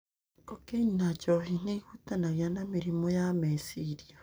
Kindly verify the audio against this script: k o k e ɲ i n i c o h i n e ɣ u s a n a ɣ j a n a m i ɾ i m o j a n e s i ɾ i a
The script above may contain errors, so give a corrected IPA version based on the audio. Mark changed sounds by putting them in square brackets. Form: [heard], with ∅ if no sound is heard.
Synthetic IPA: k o k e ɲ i n [a] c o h i n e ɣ u [t] a n a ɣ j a n a m i ɾ i m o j a [m] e s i ɾ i a

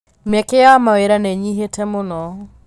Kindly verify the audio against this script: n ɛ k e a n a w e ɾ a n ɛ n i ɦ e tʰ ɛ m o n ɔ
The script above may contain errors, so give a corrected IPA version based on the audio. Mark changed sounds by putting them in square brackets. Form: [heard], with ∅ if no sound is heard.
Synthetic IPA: [m] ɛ k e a [m] a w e ɾ a n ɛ [ɲ] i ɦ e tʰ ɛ m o n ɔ

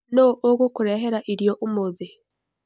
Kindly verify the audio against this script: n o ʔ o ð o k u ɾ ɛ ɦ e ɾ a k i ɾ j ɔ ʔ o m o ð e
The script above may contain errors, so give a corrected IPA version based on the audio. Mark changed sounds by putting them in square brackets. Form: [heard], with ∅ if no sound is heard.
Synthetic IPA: n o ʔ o [ɣ] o k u ɾ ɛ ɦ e ɾ a [ʔ] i ɾ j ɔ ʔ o m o ð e

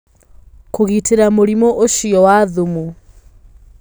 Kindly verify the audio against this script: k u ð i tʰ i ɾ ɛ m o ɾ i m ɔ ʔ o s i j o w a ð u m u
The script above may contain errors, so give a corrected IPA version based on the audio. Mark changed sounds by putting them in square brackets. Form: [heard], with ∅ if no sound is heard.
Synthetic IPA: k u [ɣ] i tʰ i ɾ [a] m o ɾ i m ɔ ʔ o [ʃ] i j [ɔ] w a ð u m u

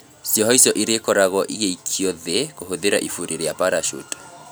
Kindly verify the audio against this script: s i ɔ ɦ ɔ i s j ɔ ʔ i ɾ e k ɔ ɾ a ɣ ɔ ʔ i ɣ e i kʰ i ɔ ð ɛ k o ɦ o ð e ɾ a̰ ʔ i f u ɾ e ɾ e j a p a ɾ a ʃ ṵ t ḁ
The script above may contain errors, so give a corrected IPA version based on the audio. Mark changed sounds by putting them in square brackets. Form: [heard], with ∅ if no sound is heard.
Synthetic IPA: s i ɔ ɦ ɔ i s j ɔ ʔ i ɾ e k ɔ ɾ a ɣ ɔ ʔ i ɣ e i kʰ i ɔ ð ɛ k o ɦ o ð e ɾ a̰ ʔ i f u ɾ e ɾ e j a p a ɾ a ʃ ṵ t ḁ

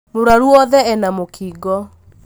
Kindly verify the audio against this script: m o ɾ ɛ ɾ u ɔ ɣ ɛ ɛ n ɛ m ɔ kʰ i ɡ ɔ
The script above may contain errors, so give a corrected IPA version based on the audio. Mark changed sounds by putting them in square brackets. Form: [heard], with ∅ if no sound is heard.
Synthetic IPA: m o ɾ [a] ɾ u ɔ [ð] ɛ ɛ n [a] m [o] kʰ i ɡ ɔ

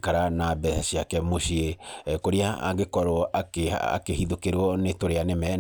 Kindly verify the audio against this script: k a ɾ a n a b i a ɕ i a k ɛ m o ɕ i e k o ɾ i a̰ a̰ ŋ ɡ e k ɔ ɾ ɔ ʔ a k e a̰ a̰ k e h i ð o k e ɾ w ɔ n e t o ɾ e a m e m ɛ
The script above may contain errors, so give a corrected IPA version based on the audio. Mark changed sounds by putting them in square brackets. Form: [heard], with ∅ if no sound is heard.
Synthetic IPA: k a ɾ a n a b [ɛ] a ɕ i a k ɛ m o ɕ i e k o ɾ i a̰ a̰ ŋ ɡ e k ɔ ɾ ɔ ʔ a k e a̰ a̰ k e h i ð o k e ɾ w ɔ n e t o ɾ e a [n] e m ɛ

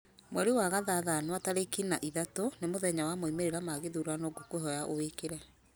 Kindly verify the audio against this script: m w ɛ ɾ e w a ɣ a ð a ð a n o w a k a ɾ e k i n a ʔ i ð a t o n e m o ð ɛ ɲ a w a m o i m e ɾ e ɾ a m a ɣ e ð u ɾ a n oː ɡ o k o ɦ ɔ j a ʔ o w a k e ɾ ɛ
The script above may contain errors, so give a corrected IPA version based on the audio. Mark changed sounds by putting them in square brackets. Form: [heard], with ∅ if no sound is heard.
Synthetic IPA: m w ɛ ɾ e w a ɣ a ð a ð a n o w a [t] a ɾ e k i n a ʔ i ð a t o n e m o ð ɛ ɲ a w a m o i m e ɾ e ɾ a m a ɣ e ð u ɾ a n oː ɡ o k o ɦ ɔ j a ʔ o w [e] k e ɾ ɛ

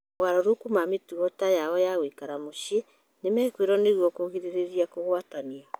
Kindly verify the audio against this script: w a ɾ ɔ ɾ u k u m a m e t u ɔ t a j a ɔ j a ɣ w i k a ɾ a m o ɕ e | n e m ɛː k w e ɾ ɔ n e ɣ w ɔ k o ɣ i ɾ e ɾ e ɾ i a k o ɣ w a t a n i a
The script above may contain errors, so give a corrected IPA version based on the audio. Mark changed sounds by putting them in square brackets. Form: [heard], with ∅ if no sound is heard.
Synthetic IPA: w a ɾ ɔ ɾ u k u m a m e t u ɔ t a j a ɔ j a ɣ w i k a ɾ a m o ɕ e | n e m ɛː k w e ɾ ɔ n e ɣ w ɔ k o ɣ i ɾ e ɾ e ɾ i a k o ɣ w a t a n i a

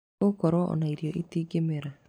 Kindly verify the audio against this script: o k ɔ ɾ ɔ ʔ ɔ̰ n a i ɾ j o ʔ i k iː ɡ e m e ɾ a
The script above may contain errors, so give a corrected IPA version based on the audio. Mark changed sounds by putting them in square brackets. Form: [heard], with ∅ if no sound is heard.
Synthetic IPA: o k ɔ ɾ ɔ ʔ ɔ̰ n a i ɾ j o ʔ i [t] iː ɡ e m e ɾ a

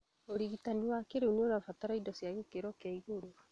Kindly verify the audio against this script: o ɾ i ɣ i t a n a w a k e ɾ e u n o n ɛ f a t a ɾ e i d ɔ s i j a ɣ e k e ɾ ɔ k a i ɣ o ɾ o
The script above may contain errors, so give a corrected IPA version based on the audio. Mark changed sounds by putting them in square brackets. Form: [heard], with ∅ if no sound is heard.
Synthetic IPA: o ɾ i ɣ i t a n [i] w a k e ɾ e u n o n [a] f a t a ɾ [a] i d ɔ s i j a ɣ e k e ɾ ɔ k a i ɣ o ɾ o

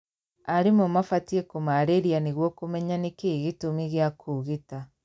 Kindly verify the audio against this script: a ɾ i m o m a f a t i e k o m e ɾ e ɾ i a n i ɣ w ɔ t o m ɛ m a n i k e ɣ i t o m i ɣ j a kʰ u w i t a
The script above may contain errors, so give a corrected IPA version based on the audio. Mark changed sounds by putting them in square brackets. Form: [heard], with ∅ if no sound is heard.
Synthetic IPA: a ɾ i m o m a f a t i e k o m [a] ɾ e ɾ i a n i ɣ w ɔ [k] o m ɛ [ɲ] a n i k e ɣ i t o m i ɣ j a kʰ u [ɣ] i t a

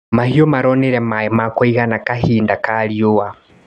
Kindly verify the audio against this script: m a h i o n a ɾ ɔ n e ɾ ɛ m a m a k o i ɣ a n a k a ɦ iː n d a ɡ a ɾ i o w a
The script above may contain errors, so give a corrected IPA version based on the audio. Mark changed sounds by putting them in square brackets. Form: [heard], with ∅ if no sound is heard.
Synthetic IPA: m a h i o [m] a ɾ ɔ n e ɾ ɛ m a m a k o i ɣ a n a k a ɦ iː n d a [k] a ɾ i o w a

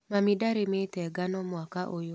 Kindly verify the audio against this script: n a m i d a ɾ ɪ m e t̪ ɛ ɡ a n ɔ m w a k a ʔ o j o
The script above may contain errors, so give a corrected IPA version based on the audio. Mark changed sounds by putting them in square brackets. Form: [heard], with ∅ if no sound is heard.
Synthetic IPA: [m] a m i d a ɾ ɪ m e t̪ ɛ ɡ a n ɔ m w a k a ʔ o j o

